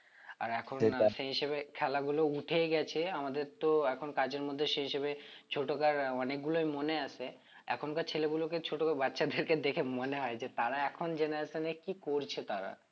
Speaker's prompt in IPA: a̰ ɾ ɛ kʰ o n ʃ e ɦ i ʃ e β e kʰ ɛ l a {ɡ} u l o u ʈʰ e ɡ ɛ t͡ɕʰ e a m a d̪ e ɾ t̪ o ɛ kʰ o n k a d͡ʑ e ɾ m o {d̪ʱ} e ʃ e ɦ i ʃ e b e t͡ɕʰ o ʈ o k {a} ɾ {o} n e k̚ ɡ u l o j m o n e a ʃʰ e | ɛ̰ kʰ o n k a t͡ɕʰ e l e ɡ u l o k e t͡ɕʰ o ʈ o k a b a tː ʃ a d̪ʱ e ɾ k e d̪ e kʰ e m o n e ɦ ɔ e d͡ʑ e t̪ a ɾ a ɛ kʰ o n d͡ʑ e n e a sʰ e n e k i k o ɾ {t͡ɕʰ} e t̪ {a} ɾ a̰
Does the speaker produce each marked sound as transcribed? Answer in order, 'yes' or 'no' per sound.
yes, no, yes, no, yes, yes

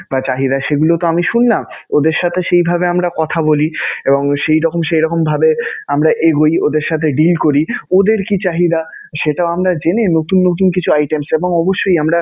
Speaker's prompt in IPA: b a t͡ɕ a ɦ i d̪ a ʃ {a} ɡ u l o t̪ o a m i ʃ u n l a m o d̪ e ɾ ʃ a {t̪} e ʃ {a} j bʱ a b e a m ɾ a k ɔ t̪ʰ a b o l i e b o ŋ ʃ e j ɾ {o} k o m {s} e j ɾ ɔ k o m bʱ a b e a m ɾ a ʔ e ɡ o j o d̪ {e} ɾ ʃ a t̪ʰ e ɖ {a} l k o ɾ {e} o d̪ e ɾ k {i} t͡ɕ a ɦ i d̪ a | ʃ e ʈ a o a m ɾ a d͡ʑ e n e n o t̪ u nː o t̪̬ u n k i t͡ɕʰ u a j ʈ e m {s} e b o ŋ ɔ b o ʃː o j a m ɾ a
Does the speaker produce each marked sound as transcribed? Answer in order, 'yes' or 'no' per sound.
no, no, no, no, no, yes, no, no, yes, yes

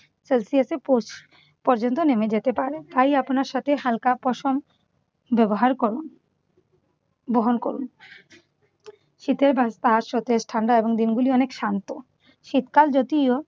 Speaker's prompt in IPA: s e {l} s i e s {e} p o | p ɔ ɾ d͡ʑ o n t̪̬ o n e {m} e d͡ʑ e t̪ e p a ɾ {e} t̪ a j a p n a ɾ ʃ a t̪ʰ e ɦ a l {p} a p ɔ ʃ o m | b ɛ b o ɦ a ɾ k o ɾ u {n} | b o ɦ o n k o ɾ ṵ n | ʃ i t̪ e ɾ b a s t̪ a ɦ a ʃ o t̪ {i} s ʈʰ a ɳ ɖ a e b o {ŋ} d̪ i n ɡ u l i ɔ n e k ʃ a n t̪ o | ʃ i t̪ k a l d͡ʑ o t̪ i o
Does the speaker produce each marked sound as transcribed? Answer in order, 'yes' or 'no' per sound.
yes, yes, yes, yes, no, yes, no, yes

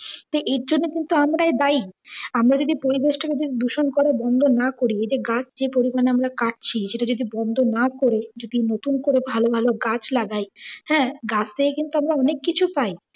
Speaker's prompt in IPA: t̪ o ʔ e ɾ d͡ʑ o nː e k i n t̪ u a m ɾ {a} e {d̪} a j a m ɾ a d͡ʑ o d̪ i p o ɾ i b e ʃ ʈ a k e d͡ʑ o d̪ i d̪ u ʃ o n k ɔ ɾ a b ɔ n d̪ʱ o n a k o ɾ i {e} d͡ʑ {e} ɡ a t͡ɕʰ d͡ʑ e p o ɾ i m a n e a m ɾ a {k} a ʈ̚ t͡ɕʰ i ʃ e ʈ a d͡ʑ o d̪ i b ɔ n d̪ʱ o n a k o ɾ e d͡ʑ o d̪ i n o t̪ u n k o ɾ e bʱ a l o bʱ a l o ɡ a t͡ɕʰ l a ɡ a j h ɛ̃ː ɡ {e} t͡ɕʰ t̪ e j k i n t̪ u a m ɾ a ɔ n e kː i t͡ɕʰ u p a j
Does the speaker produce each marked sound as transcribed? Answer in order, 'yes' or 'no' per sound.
yes, yes, yes, yes, yes, no

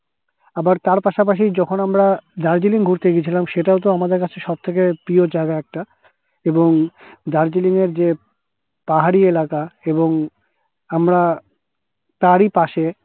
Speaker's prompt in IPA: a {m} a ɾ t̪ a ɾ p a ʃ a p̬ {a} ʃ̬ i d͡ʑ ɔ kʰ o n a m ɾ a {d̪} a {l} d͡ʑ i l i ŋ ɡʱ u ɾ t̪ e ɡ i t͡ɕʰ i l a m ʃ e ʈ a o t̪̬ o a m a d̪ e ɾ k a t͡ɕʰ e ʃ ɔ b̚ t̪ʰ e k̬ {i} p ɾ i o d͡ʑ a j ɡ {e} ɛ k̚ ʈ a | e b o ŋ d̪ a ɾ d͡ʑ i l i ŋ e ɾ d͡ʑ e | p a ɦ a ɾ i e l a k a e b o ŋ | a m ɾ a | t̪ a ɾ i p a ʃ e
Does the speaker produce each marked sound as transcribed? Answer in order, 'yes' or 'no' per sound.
no, yes, yes, no, no, no

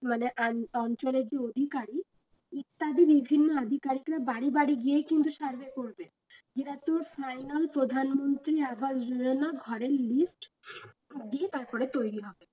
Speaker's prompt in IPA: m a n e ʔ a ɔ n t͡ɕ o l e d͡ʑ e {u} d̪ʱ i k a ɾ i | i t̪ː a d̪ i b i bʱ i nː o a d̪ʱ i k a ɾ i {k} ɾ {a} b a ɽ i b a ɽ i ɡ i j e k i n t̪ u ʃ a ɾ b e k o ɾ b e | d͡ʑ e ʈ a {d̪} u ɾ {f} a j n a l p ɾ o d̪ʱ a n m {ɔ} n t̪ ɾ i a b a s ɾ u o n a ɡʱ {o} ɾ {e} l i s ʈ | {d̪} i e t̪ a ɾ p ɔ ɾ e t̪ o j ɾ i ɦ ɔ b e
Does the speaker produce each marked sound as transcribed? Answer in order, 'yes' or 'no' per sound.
no, yes, yes, no, yes, no, no, yes, yes

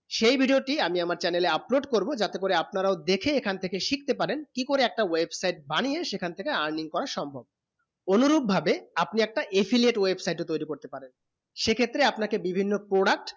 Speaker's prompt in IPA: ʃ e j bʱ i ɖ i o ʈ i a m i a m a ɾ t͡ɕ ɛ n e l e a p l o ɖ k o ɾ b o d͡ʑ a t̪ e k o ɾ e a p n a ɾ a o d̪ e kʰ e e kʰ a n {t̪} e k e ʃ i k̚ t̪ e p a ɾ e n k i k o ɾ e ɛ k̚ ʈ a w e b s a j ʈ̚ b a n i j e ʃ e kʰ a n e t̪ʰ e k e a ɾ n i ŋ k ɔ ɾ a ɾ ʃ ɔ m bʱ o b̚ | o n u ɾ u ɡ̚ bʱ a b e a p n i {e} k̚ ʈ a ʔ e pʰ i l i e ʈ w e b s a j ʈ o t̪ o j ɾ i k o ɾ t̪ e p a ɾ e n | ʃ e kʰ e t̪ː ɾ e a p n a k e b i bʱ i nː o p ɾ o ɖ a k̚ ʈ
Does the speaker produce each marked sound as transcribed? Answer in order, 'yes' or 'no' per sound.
no, no

